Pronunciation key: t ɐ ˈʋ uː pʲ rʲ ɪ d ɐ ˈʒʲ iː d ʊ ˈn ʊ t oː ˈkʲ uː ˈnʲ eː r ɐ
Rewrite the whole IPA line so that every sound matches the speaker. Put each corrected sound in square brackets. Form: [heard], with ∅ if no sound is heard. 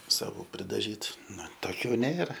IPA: [s] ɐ ˈʋ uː pʲ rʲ ɪ d ɐ ˈʒʲ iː [t] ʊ ˈn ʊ t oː ˈkʲ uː ˈnʲ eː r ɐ